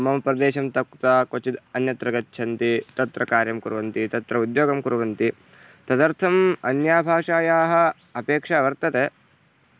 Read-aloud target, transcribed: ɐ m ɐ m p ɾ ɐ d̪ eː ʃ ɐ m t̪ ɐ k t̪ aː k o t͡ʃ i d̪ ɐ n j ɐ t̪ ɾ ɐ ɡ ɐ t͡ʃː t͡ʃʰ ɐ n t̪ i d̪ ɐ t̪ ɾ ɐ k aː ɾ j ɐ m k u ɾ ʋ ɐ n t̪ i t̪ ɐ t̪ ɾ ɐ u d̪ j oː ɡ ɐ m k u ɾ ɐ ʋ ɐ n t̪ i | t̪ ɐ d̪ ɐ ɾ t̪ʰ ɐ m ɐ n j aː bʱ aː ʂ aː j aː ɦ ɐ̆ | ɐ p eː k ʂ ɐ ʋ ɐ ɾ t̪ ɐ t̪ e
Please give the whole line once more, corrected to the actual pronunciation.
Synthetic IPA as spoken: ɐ m ɐ m p ɾ ɐ d̪ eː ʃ ɐ m t̪ ɐ k t̪ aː k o t͡ʃ i d̪ ɐ n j ɐ t̪ ɾ ɐ ɡ ɐ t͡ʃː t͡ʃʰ ɐ n t̪ i t̪ ɐ t̪ ɾ ɐ k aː ɾ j ɐ m k u ɾ ʋ ɐ n t̪ i t̪ ɐ t̪ ɾ ɐ u d̪ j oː ɡ ɐ m k u ɾ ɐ ʋ ɐ n t̪ i | t̪ ɐ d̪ ɐ ɾ t̪ʰ ɐ m ɐ n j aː bʱ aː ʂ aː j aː ɦ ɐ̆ | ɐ p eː k ʂ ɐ ʋ ɐ ɾ t̪ ɐ t̪ e